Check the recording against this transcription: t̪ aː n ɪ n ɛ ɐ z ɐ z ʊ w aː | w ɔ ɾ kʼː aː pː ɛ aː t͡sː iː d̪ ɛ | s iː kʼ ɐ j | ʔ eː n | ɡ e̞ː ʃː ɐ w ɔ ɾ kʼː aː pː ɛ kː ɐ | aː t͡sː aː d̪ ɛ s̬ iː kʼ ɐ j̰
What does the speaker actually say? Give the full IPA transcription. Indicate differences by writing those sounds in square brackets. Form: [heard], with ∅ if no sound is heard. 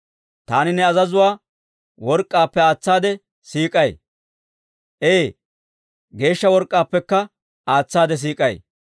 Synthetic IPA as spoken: t̪ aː n ɪ n ɛ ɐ z ɐ z ʊ w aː | w ɔ ɾ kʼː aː pː ɛ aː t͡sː [aː] d̪ ɛ | s iː kʼ ɐ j | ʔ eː [∅] | ɡ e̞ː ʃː ɐ w ɔ ɾ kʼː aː pː ɛ kː ɐ | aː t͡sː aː d̪ ɛ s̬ iː kʼ ɐ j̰